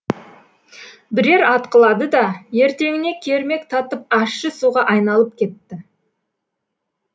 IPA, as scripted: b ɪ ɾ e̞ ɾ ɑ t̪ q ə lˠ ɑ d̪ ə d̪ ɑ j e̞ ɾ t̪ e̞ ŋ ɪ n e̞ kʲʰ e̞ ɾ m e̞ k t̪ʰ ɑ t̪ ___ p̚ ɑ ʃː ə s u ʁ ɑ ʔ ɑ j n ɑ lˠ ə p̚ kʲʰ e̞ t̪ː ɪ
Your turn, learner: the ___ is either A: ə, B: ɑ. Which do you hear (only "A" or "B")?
A